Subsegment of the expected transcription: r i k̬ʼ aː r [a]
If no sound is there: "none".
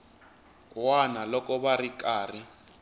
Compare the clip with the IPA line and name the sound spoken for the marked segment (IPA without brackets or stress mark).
i